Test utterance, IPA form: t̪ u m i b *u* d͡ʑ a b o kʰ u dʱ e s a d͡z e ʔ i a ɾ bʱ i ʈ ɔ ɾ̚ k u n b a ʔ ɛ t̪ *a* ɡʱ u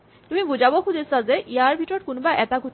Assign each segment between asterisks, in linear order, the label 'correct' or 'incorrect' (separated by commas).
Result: correct, correct